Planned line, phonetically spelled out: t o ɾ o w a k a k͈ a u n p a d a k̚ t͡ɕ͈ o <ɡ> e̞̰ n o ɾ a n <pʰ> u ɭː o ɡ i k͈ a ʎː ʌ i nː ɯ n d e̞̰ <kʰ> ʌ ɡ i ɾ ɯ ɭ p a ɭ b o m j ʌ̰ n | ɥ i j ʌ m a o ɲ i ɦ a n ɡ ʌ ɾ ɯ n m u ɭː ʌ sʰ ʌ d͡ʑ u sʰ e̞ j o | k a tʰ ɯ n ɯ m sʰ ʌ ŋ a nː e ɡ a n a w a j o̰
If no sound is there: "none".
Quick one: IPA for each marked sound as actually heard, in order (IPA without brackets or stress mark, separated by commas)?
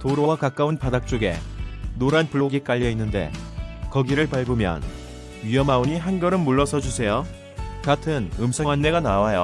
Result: ɡ, p, k